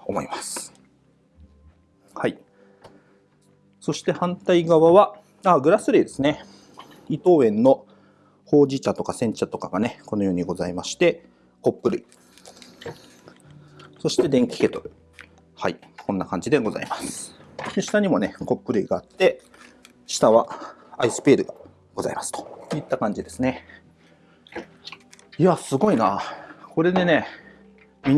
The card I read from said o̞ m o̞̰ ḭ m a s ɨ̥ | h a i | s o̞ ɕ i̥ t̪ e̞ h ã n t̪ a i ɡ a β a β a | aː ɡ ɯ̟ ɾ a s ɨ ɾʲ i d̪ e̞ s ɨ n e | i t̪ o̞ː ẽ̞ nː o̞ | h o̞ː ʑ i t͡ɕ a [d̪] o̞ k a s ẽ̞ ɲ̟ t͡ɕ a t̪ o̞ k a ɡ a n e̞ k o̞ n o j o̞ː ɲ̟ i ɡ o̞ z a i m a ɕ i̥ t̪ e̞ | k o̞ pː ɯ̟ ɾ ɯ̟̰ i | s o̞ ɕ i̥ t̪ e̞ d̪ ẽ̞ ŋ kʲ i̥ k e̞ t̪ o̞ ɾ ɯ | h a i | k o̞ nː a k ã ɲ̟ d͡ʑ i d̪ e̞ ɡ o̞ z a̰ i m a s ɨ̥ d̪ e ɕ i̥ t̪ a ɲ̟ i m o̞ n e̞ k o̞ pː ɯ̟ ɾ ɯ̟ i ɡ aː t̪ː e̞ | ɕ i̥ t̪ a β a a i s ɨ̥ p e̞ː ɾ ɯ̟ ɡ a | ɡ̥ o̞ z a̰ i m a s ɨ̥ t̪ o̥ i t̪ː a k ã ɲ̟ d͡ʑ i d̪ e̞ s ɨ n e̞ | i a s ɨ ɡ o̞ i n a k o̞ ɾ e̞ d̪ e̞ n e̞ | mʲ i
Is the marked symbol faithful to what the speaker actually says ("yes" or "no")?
no